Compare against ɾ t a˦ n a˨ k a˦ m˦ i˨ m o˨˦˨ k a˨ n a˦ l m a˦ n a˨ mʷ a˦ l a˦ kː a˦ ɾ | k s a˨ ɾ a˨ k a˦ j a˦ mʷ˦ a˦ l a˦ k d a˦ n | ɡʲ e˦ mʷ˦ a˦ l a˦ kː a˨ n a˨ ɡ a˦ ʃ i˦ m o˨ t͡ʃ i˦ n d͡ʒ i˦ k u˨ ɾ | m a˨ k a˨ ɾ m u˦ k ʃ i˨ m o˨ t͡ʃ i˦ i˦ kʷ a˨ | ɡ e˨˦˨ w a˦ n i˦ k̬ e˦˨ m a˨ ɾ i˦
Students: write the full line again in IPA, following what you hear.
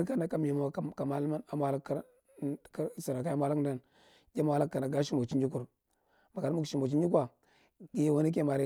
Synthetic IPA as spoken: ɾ k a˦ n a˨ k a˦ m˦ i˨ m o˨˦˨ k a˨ m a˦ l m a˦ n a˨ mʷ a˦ l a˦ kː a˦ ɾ | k s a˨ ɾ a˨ k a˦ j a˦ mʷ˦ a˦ l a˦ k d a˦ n | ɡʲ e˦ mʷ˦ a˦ l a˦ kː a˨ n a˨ ɡ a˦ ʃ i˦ m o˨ t͡ʃ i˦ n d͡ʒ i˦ k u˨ ɾ | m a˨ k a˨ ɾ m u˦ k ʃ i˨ m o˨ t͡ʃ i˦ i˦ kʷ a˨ | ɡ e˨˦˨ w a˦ n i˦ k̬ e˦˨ m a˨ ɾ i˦